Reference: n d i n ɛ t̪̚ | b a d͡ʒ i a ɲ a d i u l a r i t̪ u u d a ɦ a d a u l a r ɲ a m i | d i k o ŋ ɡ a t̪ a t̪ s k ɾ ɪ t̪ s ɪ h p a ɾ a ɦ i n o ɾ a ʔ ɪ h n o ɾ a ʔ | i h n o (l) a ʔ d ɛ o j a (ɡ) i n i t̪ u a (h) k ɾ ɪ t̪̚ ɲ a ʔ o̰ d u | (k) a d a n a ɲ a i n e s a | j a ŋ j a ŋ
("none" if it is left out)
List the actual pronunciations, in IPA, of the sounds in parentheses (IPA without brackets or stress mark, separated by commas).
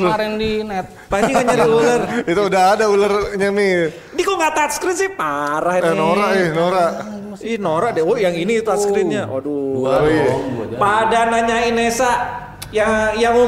ɾ, ŋ, s, p